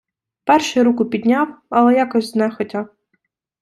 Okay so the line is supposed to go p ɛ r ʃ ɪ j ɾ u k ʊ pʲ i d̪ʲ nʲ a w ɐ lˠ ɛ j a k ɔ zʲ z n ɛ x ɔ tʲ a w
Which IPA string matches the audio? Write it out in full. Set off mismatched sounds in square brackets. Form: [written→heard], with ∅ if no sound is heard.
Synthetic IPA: p ɛ r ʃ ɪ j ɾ u k ʊ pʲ i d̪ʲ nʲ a w ɐ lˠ ɛ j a k ɔ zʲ z n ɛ x ɔ tʲ a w